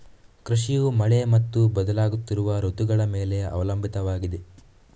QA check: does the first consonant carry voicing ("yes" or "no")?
no